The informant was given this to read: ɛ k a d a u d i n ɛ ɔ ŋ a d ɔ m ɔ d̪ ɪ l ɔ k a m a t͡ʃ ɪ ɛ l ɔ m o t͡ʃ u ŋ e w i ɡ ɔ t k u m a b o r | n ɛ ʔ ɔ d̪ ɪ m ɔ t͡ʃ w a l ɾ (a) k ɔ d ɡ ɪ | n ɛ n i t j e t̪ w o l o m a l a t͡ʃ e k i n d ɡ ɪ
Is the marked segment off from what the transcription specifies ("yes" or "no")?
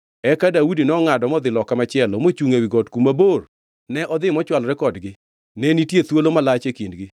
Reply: yes